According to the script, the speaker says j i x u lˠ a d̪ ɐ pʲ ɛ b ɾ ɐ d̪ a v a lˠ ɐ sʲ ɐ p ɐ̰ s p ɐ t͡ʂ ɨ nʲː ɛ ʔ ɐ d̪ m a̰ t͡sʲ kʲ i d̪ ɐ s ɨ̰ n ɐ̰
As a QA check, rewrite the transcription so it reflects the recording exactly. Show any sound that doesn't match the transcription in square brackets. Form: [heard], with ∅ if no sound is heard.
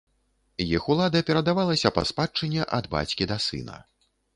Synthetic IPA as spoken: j i x u lˠ a d̪ ɐ pʲ ɛ [∅] ɾ ɐ d̪ a v a lˠ ɐ sʲ ɐ p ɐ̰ s p [a] t͡ʂ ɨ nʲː ɛ ʔ ɐ d̪ [b] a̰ t͡sʲ kʲ i d̪ ɐ s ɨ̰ n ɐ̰